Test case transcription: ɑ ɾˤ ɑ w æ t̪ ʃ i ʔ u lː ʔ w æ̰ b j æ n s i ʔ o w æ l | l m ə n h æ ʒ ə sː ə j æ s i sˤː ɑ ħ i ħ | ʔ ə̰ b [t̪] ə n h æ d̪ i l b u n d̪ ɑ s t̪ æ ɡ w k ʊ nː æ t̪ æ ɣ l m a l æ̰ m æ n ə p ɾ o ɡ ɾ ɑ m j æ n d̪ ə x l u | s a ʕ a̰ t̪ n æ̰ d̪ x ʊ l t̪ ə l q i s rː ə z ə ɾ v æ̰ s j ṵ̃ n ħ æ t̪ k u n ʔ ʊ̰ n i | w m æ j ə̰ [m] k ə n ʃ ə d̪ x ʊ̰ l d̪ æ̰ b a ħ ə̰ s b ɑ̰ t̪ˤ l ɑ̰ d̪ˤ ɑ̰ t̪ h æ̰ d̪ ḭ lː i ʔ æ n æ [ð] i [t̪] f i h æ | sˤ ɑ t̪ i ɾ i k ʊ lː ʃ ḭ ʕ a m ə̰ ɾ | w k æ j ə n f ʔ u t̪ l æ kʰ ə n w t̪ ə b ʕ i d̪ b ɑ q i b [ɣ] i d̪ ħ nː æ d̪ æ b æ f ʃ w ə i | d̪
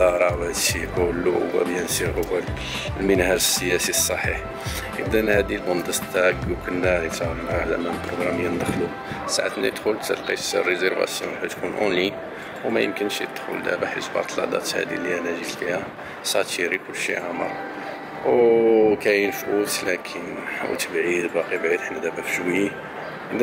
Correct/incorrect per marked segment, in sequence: incorrect, correct, incorrect, correct, incorrect

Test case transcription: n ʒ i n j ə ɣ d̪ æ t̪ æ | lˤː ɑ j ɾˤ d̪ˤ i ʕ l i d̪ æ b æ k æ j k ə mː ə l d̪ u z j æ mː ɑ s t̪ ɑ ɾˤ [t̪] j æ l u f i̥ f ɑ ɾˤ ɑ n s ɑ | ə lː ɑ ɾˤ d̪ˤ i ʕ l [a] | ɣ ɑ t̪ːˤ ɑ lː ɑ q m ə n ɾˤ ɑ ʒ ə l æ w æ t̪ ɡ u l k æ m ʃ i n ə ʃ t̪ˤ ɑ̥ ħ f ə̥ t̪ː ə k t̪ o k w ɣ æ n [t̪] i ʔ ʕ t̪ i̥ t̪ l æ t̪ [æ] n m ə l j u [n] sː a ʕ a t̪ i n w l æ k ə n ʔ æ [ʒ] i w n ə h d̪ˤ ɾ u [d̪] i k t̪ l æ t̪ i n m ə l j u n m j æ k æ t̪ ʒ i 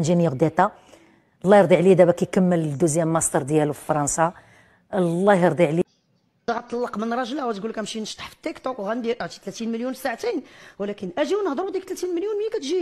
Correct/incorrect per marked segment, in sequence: incorrect, incorrect, incorrect, incorrect, correct, correct, correct

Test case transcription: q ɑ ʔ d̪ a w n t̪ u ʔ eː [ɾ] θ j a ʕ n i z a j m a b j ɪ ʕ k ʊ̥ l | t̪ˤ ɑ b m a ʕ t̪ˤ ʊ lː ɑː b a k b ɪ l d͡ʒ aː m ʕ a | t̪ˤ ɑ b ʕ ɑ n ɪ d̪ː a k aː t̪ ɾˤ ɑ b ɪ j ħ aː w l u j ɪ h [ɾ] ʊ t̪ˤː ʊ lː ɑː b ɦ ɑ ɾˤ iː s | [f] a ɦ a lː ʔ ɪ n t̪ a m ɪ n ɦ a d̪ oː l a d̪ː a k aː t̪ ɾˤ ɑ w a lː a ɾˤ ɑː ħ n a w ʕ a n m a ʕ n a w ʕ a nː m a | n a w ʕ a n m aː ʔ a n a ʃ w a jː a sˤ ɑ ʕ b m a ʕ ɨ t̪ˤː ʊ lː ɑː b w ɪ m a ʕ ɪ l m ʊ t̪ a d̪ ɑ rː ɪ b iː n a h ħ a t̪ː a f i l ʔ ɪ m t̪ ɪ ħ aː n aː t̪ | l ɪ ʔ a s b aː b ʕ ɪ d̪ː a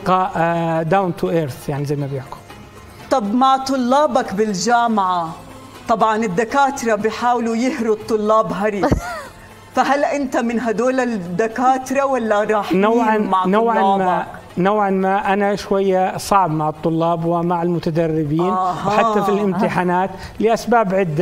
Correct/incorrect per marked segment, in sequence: correct, correct, correct

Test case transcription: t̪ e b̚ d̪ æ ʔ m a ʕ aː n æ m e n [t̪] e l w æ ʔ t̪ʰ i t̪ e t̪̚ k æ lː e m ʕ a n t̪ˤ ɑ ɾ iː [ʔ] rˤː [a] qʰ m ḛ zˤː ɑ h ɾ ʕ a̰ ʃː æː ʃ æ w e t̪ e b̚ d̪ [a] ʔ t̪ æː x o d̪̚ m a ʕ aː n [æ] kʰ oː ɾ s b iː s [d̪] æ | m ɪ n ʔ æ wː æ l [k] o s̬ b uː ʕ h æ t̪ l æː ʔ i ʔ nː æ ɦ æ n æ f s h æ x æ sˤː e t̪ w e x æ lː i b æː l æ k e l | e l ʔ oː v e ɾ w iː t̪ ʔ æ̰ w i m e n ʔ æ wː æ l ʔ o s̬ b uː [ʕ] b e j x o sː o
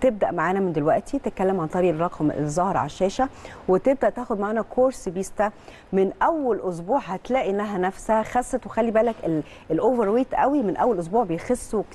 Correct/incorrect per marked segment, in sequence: incorrect, correct, incorrect, incorrect, correct, incorrect, incorrect, correct

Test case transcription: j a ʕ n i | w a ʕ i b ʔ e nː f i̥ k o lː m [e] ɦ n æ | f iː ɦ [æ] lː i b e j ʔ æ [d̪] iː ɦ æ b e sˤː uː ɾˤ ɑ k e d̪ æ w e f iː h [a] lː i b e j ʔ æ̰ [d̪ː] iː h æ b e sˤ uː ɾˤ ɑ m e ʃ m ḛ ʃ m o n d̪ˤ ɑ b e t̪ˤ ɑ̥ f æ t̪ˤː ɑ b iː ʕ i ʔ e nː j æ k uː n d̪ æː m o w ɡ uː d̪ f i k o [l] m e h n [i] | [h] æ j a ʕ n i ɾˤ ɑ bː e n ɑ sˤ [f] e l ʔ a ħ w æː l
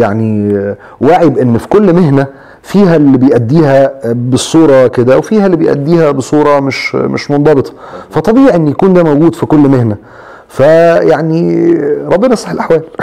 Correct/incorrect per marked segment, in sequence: correct, correct, incorrect, incorrect, correct, incorrect, incorrect, incorrect, incorrect

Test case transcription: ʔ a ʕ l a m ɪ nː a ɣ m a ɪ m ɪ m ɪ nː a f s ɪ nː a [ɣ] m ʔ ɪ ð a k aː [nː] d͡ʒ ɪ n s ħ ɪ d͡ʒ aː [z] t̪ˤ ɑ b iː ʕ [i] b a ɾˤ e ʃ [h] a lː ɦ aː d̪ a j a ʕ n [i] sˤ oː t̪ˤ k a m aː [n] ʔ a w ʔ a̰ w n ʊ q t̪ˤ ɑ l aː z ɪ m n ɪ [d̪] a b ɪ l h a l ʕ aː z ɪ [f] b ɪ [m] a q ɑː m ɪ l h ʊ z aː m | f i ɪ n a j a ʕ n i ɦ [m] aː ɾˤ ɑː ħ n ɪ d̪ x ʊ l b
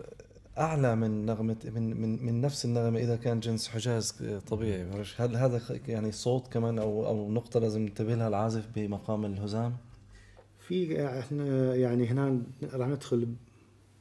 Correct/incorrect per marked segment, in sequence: correct, incorrect, correct, correct, correct, correct, correct, incorrect, correct, correct, incorrect

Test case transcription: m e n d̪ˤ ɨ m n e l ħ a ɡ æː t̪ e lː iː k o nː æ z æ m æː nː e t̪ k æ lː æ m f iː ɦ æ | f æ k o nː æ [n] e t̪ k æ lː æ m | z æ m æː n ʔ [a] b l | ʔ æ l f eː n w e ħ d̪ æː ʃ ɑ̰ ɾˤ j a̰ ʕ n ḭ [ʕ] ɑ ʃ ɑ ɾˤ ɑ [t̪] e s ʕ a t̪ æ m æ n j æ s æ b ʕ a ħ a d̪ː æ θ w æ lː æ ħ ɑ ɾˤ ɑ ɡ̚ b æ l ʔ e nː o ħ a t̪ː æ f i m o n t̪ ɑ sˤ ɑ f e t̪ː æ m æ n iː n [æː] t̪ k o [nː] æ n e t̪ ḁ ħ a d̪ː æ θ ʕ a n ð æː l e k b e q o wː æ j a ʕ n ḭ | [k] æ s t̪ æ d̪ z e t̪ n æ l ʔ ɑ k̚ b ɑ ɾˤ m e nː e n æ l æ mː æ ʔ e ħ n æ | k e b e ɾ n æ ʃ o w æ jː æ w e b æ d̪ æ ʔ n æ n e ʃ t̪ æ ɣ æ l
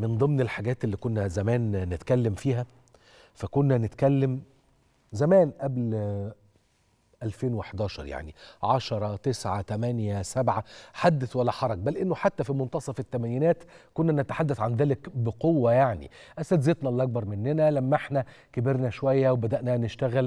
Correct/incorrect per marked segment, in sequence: correct, incorrect, correct, correct, correct, correct, incorrect

